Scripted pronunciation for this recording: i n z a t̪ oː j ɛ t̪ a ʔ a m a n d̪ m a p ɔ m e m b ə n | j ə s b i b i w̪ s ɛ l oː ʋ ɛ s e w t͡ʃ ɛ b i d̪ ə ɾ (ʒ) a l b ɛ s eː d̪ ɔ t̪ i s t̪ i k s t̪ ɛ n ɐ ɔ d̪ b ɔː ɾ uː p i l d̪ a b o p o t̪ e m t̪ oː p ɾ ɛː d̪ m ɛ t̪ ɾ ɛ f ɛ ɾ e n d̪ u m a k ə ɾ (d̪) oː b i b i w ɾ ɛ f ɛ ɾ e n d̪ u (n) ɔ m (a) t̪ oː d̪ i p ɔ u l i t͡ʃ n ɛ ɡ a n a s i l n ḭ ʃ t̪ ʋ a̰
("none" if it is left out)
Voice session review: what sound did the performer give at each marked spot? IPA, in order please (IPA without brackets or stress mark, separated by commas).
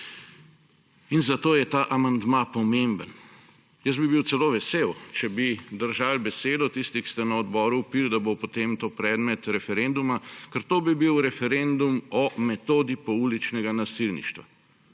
ʒ, t̪, m, ɛ